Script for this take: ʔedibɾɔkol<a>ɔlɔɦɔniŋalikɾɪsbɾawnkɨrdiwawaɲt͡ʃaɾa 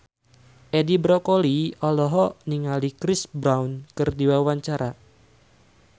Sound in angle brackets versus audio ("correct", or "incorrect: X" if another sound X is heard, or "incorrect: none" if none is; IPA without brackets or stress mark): incorrect: i